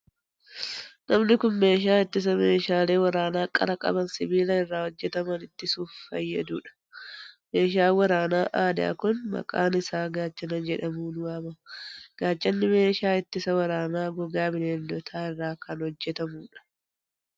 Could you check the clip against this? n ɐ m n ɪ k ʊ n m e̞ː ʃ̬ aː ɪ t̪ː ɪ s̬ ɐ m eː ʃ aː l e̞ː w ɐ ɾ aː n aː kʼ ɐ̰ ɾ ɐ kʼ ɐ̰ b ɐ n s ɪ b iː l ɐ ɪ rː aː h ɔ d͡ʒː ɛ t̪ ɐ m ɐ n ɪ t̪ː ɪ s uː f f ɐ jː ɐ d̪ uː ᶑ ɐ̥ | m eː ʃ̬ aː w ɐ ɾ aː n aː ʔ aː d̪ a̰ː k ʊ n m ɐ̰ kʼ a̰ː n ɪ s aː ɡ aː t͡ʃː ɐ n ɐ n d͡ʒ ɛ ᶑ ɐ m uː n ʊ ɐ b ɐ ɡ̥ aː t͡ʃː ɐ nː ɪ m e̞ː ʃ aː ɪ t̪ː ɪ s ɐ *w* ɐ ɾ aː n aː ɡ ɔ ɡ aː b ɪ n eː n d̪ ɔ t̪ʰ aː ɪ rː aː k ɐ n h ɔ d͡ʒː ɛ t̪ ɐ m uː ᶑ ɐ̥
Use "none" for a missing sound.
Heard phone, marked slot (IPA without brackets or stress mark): w